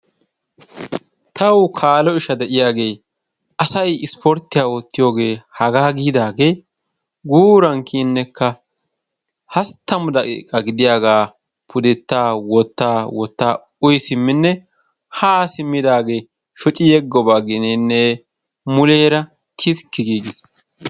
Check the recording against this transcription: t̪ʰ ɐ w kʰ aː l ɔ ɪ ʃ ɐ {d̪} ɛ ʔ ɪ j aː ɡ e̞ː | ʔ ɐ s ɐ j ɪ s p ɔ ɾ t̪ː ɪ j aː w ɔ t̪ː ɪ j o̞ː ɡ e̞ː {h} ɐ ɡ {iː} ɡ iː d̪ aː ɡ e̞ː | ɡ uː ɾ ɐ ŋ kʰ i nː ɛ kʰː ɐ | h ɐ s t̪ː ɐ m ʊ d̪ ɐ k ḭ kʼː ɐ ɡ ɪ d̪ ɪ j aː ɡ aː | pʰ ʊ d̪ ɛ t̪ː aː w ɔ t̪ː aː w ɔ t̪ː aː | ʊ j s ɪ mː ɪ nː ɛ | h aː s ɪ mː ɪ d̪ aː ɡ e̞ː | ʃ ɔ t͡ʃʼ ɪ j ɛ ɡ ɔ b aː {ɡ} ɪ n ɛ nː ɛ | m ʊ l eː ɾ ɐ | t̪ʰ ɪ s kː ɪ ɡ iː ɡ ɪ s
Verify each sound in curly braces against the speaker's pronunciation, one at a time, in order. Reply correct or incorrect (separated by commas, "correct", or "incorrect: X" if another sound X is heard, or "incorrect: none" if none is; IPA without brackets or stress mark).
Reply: correct, correct, incorrect: aː, correct